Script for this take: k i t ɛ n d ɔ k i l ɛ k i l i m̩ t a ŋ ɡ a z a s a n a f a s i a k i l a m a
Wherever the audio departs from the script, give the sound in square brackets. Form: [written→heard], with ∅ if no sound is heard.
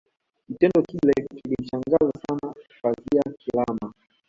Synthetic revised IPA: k i t ɛ n d ɔ k i l ɛ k i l i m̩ [t→t͡ʃ] a ŋ ɡ a z a s a n a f a [s→z] i a k i l a m a